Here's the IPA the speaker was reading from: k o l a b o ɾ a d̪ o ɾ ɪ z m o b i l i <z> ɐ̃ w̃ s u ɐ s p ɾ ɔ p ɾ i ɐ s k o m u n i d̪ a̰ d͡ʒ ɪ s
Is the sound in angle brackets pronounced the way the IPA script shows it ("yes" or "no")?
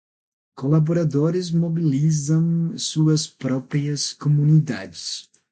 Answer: yes